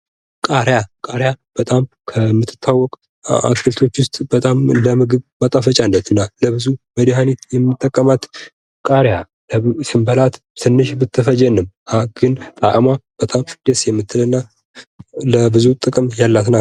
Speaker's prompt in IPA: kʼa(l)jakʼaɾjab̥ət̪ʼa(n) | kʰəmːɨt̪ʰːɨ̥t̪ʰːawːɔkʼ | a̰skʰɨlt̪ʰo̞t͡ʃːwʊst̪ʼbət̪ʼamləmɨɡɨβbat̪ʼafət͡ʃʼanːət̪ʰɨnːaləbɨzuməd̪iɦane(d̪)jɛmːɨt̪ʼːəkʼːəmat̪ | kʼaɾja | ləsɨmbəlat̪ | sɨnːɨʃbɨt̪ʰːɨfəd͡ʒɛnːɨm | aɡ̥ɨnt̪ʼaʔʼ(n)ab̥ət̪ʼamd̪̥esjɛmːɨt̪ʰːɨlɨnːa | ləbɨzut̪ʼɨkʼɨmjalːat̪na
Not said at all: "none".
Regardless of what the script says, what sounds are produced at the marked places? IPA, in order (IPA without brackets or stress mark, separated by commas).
ɾ, m, t̪, m